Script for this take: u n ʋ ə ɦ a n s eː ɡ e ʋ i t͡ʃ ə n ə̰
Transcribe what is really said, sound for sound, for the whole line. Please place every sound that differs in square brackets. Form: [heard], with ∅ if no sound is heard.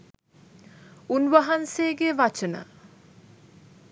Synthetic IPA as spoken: u n ʋ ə ɦ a n s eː ɡ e ʋ [a] t͡ʃ ə n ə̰